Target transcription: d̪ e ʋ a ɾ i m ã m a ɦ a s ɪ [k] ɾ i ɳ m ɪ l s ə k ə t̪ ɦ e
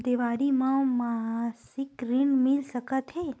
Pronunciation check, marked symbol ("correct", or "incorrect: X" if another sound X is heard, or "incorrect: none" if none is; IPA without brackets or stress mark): correct